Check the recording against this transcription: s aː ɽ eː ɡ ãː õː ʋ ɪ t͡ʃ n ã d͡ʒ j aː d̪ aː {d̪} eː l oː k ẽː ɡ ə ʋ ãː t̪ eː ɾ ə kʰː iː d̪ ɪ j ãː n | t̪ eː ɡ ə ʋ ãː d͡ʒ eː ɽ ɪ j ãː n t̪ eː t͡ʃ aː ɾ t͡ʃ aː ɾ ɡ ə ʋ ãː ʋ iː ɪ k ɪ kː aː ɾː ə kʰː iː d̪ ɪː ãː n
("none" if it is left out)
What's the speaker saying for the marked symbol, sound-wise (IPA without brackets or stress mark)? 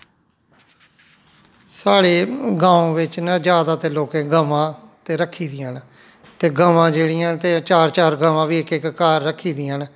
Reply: t̪